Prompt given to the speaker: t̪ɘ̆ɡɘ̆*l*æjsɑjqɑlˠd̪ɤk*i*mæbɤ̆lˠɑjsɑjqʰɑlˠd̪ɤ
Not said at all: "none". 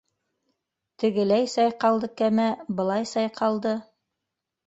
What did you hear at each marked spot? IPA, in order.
l, æ

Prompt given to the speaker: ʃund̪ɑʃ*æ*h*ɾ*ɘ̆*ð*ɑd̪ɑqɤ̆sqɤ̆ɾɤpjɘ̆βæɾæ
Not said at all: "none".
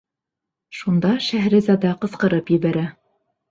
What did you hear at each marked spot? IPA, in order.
æ, ɾ, z

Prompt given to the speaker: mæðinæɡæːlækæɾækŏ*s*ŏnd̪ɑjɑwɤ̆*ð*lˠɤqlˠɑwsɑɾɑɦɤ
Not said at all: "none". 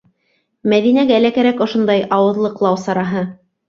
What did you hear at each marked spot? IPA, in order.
ʃ, ð

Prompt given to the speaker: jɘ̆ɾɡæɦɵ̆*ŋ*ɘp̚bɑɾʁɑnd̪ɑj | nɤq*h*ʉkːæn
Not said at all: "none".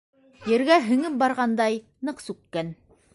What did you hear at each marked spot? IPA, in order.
ŋ, s

